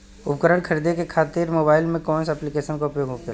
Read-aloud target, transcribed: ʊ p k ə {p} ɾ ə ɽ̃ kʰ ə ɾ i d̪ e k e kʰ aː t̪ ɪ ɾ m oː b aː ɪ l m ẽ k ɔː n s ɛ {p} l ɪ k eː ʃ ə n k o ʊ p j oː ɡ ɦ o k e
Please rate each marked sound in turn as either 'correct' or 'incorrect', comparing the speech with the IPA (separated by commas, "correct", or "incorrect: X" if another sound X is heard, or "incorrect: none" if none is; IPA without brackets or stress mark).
incorrect: none, correct